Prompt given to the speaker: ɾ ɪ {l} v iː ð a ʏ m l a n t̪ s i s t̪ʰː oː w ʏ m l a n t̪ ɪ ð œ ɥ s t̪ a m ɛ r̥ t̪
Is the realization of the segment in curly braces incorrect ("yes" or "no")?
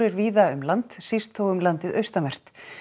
yes